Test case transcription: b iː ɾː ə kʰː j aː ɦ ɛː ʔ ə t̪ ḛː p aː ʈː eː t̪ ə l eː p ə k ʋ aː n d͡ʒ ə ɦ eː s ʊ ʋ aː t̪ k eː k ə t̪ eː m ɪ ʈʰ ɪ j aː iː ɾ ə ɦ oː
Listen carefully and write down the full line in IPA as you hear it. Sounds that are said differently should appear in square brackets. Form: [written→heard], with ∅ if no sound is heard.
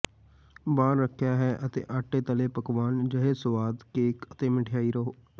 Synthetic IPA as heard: b [iː→aː] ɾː ə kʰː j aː ɦ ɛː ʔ ə t̪ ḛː [p→ʔ] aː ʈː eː t̪ ə l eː p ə k ʋ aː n d͡ʒ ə ɦ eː s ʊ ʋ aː [t̪→d̪] k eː k ə t̪ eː m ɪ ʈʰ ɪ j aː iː ɾ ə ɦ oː